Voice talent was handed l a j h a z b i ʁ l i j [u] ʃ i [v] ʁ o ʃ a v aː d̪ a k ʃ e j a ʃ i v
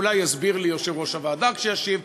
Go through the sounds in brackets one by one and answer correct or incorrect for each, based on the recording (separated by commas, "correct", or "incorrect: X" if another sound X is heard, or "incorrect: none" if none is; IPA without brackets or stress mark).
incorrect: o, correct